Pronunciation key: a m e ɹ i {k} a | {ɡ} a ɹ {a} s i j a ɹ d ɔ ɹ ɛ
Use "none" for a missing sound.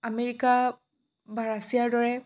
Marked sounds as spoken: k, b, a

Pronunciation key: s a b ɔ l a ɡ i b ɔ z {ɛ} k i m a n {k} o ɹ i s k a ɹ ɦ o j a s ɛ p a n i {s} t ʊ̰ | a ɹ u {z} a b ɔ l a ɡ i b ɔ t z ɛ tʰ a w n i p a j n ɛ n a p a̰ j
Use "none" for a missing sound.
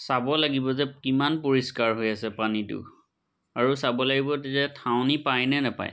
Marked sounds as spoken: ɛ, p, none, s

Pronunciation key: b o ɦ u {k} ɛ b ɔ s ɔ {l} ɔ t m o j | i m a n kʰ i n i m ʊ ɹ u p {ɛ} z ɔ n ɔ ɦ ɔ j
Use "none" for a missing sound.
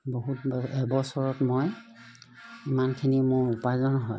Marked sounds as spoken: t, ɹ, a

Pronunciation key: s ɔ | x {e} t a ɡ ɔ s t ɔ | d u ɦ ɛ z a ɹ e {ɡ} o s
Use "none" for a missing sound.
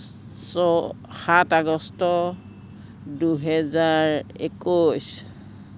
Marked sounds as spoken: a, k

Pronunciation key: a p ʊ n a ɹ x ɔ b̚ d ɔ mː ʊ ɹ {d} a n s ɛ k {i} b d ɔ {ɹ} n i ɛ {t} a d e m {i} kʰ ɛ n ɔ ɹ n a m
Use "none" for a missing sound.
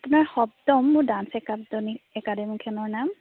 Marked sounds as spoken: d, a, none, k, i

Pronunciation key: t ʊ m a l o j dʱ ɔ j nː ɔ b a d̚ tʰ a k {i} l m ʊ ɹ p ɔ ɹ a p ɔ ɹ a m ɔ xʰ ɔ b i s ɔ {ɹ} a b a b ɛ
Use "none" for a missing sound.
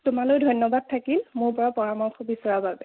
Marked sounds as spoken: i, ɹ

